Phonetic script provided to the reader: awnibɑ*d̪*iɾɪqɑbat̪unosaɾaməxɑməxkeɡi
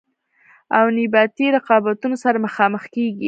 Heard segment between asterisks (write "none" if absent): t̪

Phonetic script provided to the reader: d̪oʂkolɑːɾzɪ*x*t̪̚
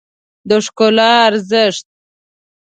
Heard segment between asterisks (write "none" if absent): ʂ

